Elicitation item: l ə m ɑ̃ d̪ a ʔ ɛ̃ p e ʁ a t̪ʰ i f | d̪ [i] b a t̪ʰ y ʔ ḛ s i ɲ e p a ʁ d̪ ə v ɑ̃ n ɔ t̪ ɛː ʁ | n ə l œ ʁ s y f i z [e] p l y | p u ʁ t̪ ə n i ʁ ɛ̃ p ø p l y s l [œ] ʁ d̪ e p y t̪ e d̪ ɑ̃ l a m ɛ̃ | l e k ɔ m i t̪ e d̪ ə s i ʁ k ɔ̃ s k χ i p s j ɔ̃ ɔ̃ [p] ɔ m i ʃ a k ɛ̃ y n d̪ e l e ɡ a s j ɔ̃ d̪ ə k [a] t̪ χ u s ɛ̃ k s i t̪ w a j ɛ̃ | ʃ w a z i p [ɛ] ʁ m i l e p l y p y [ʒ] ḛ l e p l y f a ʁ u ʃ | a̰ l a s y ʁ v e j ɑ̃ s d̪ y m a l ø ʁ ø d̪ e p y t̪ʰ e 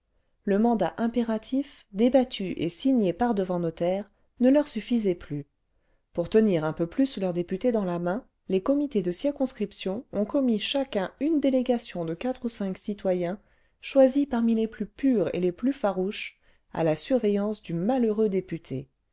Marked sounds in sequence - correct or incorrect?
incorrect, incorrect, correct, incorrect, correct, incorrect, incorrect

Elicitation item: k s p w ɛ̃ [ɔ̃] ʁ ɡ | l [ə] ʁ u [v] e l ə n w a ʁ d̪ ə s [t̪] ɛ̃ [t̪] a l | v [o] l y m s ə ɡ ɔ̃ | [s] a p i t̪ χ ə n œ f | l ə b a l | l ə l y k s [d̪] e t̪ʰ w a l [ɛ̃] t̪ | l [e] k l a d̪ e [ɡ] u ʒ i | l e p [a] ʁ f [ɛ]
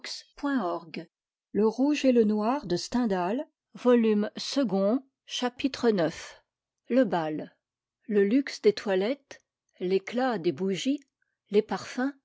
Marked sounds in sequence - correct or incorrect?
incorrect, correct, incorrect, correct, incorrect, incorrect, incorrect, correct, incorrect, correct, incorrect, correct, incorrect

